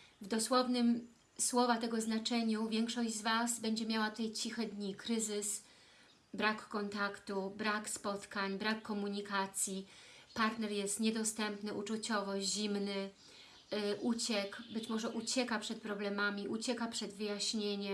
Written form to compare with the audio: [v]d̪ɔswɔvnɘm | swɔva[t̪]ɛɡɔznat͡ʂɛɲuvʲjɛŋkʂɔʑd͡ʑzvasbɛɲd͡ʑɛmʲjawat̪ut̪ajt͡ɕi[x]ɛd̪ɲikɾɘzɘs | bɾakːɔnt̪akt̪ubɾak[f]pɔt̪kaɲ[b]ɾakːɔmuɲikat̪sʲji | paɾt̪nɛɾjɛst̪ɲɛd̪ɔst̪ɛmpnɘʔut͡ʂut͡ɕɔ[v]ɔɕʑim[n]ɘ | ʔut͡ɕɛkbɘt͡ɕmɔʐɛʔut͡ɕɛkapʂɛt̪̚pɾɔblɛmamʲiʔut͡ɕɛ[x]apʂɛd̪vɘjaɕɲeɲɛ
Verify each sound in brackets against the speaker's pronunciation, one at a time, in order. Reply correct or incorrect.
correct, correct, correct, incorrect, correct, correct, correct, incorrect

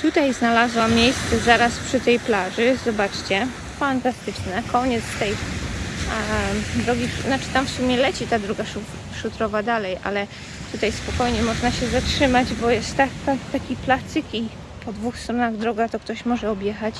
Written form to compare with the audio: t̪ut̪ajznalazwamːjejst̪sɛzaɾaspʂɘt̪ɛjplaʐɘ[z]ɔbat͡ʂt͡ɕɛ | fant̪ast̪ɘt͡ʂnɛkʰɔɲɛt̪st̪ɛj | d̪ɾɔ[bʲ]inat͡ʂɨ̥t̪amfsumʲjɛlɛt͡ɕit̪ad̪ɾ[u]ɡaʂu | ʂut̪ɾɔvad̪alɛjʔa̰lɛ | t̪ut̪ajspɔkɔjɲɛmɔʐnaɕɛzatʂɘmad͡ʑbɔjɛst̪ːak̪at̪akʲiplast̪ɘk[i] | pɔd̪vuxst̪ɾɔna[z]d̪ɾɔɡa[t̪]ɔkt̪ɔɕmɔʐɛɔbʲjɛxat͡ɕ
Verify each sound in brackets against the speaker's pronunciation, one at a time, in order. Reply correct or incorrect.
correct, incorrect, incorrect, correct, incorrect, correct

